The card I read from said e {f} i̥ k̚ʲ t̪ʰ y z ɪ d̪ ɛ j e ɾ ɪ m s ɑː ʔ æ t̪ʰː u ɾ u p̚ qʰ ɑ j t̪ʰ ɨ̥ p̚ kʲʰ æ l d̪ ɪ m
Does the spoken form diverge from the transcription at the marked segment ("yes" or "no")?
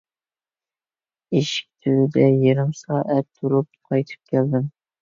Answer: yes